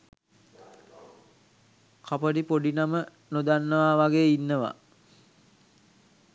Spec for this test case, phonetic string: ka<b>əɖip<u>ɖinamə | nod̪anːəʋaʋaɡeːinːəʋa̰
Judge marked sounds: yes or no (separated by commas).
no, no